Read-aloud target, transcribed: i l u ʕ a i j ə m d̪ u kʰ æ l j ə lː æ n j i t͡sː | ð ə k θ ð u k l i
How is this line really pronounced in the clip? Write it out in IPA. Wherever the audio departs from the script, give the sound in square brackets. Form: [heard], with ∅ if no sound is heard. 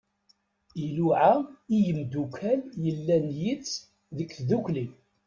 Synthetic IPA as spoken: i l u ʕ a i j ə m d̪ u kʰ æ l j ə lː æ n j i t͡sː | ð ə k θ ð u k l i